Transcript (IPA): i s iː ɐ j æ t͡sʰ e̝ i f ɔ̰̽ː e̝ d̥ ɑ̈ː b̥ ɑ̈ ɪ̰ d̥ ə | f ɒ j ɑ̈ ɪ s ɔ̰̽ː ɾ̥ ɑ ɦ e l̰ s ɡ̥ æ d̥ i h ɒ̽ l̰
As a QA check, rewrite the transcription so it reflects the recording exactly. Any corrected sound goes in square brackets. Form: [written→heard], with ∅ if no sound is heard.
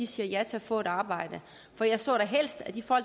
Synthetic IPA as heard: i s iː ɐ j æ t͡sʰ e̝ [i→æ] f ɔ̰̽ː e̝ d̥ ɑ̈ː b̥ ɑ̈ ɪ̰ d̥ ə | f ɒ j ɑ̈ ɪ s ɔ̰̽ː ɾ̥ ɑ ɦ e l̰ s [ɡ̥→d̥] æ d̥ i [h→f] ɒ̽ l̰

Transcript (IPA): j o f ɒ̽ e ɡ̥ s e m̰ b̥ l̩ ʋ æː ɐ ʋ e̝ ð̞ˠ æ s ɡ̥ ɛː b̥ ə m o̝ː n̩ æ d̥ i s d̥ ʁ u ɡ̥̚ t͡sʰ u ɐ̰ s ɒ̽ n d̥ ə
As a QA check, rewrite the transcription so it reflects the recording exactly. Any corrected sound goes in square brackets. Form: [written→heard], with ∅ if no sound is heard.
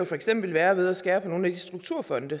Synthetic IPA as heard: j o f ɒ̽ e ɡ̥ s e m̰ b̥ l̩ ʋ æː ɐ ʋ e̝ ð̞ˠ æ s ɡ̥ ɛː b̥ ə [m→n] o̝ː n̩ æ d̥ i s d̥ ʁ u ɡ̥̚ t͡sʰ u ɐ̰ [s→f] ɒ̽ n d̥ ə

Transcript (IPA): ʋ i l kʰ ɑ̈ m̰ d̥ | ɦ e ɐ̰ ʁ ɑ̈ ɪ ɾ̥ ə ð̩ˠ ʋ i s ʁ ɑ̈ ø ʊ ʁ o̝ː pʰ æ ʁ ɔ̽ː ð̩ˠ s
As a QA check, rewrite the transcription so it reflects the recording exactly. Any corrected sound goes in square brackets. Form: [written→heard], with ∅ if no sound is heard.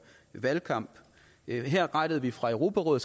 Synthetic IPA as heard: ʋ [i→æ] l kʰ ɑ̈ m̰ [d̥→b̥] | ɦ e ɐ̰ ʁ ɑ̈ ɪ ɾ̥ ə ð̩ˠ ʋ i [s→f] ʁ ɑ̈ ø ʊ ʁ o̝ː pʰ æ ʁ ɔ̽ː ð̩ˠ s

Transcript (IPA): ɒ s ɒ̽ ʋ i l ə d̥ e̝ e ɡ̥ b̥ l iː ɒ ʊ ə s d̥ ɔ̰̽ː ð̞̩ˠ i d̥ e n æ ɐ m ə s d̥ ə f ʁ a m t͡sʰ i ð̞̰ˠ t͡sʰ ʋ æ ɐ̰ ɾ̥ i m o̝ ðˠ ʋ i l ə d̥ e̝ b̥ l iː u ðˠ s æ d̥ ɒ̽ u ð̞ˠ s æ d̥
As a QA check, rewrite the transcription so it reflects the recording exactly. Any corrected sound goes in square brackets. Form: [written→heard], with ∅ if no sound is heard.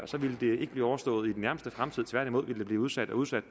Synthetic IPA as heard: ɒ s ɒ̽ ʋ i l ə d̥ e̝ e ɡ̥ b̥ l iː ɒ ʊ [ə→ɐ] s d̥ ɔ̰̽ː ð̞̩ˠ i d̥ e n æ ɐ m ə s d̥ ə f ʁ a m t͡sʰ i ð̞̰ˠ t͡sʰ ʋ æ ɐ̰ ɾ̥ i m o̝ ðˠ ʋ i l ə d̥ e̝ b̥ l iː u ðˠ s æ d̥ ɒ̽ u ð̞ˠ s æ d̥

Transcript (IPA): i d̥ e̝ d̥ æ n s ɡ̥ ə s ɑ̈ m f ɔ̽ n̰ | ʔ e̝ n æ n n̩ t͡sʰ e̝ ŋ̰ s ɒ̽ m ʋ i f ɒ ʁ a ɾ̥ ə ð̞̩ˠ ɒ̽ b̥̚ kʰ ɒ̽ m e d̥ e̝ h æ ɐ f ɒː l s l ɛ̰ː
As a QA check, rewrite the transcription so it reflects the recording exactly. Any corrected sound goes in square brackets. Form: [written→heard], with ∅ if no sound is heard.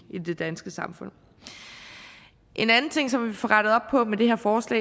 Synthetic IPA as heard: i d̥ e̝ d̥ æ n s ɡ̥ ə s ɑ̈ m f ɔ̽ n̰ | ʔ e̝ n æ n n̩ t͡sʰ e̝ ŋ̰ s ɒ̽ m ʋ i f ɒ ʁ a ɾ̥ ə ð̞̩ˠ ɒ̽ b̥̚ [kʰ→pʰ] ɒ̽ m e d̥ e̝ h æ ɐ f ɒː [l→∅] s l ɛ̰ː

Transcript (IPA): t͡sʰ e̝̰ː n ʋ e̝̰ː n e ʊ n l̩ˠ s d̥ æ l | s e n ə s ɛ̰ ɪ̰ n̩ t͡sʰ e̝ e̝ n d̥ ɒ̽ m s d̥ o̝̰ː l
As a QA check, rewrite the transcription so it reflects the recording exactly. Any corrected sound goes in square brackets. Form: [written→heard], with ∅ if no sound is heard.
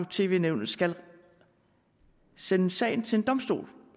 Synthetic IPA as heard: t͡sʰ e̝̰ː [n→∅] ʋ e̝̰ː n e ʊ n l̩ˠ s [d̥→ɡ̥] æ l | s e n ə s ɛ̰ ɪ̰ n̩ t͡sʰ e̝ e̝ n d̥ ɒ̽ m s d̥ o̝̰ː l

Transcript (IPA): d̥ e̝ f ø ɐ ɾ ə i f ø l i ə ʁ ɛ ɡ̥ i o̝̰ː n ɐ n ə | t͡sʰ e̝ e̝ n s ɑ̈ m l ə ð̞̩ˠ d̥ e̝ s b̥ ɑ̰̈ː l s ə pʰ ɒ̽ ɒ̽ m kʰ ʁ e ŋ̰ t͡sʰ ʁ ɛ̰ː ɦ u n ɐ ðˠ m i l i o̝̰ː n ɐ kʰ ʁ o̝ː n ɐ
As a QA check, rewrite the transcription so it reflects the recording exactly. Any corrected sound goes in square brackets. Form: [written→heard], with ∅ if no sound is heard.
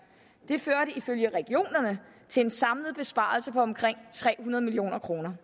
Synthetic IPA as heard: d̥ e̝ f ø ɐ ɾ ə i f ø l [i→j] ə ʁ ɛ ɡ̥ i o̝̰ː n ɐ n ə | t͡sʰ e̝ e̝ n s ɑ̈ m l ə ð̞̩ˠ [d̥→b̥] e̝ s b̥ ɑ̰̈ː l s ə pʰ ɒ̽ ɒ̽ m kʰ ʁ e ŋ̰ t͡sʰ ʁ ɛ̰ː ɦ u n ɐ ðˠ m i l i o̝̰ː n ɐ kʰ ʁ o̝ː n ɐ

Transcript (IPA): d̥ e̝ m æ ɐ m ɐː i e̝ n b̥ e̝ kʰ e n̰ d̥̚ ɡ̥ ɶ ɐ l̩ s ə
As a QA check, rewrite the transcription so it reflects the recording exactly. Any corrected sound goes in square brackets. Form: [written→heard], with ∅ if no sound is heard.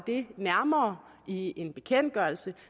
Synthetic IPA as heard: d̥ e̝ [m→n] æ ɐ m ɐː i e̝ n b̥ e̝ kʰ e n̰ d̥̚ ɡ̥ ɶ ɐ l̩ s ə

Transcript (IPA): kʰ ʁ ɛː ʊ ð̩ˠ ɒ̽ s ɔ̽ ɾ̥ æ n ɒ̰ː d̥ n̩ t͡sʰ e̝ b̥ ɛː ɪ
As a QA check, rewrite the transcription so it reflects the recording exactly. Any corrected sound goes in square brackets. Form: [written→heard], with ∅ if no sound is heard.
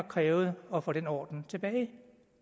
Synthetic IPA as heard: kʰ ʁ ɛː ʊ ð̩ˠ ɒ̽ [s→f] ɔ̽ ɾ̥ [æ→e] n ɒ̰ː d̥ n̩ t͡sʰ e̝ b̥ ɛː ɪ

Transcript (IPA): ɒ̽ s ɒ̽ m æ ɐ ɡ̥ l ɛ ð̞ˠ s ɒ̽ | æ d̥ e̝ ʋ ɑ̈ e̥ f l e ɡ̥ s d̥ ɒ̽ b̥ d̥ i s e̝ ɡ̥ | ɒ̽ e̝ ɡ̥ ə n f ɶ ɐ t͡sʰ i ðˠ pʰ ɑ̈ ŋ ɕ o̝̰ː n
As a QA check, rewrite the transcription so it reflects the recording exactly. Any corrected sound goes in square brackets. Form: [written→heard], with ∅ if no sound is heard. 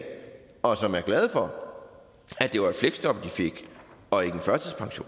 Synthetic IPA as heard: ɒ̽ s ɒ̽ m æ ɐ ɡ̥ l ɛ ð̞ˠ [s→f] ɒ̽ | æ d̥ e̝ ʋ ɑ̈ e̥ f l e ɡ̥ s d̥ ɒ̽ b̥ d̥ i [s→f] e̝ ɡ̥ | ɒ̽ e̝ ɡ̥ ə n f ɶ ɐ t͡sʰ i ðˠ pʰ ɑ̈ ŋ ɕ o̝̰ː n

